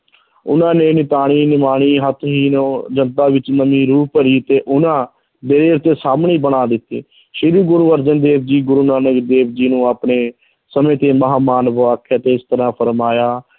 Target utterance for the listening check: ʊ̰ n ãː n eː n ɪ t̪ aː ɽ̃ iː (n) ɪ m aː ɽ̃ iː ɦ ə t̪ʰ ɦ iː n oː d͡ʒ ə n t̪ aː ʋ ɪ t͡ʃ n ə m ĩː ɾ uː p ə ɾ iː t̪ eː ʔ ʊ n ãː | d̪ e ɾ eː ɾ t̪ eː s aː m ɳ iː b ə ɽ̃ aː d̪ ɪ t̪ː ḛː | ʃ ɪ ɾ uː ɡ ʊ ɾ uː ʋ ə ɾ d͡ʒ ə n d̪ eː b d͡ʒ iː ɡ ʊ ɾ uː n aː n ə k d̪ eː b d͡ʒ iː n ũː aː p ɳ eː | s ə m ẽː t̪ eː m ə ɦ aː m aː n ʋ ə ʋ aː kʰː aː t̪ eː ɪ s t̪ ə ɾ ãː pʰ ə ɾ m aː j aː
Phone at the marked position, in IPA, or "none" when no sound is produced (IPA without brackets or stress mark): n